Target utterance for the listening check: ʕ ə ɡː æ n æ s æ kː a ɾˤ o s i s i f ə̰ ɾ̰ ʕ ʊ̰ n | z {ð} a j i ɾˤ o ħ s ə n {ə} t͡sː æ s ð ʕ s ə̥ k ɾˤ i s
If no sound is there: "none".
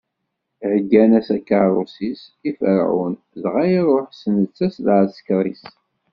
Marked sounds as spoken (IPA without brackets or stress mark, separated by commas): ʁ, ə